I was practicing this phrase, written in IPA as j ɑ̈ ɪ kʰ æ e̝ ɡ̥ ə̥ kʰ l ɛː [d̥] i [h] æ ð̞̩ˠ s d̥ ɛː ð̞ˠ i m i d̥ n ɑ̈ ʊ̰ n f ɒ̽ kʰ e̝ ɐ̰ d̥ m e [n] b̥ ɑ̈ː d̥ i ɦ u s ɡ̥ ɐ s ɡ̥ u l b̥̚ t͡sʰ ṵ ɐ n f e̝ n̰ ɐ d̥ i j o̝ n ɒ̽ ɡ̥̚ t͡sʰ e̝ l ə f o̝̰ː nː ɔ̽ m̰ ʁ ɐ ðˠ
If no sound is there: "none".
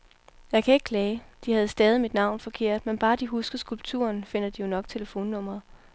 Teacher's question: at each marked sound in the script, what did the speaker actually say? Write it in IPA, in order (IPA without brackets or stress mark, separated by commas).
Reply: d̥, h, n